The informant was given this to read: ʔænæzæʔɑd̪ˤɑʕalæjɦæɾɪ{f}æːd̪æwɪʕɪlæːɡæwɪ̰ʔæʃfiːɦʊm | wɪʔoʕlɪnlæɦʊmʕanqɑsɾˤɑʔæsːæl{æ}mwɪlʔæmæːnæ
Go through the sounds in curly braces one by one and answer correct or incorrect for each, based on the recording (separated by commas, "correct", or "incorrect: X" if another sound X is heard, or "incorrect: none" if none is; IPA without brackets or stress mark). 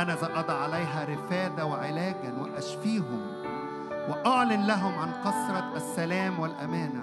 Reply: correct, incorrect: æː